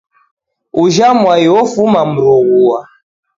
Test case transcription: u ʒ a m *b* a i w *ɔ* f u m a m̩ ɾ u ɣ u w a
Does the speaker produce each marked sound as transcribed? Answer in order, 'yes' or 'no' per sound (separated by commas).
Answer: no, yes